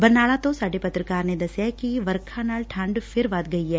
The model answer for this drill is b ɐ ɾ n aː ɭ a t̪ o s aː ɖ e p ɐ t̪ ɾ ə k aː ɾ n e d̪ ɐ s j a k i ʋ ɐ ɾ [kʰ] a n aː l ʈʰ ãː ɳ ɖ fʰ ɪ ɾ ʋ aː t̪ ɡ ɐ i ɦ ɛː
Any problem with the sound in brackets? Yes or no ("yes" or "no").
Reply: no